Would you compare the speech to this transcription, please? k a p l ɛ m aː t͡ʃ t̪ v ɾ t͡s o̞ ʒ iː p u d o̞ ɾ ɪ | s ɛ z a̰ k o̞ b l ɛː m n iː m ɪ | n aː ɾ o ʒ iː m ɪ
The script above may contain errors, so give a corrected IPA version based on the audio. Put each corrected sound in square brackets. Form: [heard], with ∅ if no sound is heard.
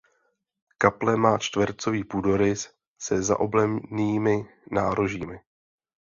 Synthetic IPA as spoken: k a p l ɛ m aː t͡ʃ t̪ v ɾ t͡s o̞ [v] iː p u d o̞ ɾ ɪ | s ɛ z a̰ [ʔ] o̞ b l [ɛ] m n iː m ɪ | n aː ɾ o ʒ iː m ɪ